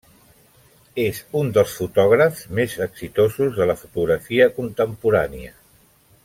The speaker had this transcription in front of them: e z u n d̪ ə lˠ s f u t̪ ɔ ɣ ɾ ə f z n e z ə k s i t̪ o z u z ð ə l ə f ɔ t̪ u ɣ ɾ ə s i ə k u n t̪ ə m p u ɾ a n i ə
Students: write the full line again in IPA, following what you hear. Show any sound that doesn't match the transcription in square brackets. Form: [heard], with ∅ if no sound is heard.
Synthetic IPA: e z u n d̪ ə lˠ s f u t̪ ɔ ɣ ɾ ə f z [m] e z ə k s i t̪ o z u z ð ə l ə f [u] t̪ u ɣ ɾ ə [f] i ə k u n t̪ ə m p u ɾ a n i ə